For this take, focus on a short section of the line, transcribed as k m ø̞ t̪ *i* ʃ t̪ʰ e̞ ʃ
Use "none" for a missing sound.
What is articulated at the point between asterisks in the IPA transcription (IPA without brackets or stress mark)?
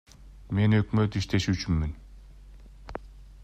i